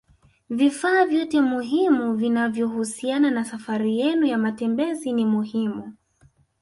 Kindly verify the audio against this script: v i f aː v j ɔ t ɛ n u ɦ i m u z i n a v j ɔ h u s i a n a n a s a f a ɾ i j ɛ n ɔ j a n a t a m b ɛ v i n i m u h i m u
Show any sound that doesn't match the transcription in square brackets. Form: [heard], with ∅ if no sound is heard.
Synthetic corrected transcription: v i f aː v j ɔ t ɛ [m] u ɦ i m u [v] i n a v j ɔ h u s i a n a n a s a f a ɾ i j ɛ n [u] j a [m] a t [ɛ] m b ɛ [z] i n i m u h i m u